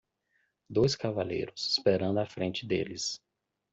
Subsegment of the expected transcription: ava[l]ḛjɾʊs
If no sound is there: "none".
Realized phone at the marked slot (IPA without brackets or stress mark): l